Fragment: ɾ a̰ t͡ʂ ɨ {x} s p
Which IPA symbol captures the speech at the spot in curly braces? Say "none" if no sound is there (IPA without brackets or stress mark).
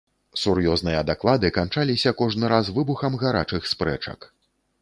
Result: x